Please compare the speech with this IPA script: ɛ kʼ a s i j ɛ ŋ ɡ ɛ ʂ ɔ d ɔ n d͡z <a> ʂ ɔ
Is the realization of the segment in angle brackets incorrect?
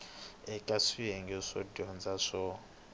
no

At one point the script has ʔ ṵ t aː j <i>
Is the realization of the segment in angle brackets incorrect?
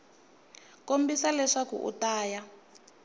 yes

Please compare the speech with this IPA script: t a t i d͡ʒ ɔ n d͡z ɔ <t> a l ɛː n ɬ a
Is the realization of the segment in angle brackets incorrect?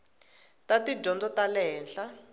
no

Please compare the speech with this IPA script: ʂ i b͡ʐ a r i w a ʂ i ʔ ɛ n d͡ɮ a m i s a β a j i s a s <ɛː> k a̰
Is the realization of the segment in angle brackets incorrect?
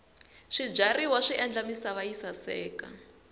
no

